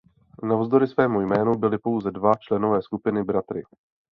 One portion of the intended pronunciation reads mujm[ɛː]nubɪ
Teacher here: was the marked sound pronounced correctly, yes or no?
yes